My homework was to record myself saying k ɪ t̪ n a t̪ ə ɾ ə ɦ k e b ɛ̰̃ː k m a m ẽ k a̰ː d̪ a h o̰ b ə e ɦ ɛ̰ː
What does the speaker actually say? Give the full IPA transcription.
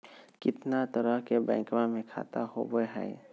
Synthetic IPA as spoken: k ɪ t̪ n a t̪ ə ɾ ə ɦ k e b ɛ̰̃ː k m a m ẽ kʰ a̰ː t̪ a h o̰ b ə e ɦ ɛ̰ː